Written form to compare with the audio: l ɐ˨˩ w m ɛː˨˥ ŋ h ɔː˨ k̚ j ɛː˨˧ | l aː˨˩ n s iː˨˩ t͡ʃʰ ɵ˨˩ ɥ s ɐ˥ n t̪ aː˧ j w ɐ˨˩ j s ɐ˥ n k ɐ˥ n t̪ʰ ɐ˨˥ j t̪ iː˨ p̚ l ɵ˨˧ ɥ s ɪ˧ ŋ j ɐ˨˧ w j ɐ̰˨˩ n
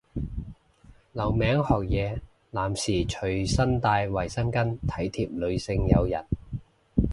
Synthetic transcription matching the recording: l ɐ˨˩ w m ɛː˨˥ ŋ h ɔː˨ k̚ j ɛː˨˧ | l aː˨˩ m s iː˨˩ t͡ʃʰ ɵ˨˩ ɥ s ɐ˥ n t̪ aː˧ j w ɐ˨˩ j s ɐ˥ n k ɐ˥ n t̪ʰ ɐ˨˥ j t̪ʰ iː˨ p̚ l ɵ˨˧ ɥ s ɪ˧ ŋ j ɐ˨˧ w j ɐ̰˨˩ n